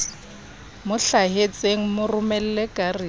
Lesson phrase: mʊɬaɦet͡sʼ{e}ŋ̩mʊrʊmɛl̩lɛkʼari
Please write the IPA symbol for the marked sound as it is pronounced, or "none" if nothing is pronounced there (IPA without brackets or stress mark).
e